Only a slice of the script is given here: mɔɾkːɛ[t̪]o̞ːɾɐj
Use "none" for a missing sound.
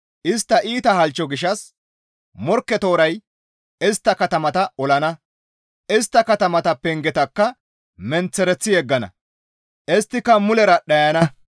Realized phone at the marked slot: t̪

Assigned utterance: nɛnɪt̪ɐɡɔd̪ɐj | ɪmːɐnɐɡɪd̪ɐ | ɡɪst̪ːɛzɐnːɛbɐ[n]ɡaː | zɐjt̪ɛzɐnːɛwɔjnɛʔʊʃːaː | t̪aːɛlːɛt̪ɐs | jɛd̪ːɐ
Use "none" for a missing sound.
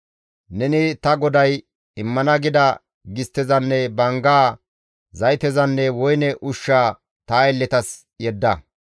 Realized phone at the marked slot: ŋ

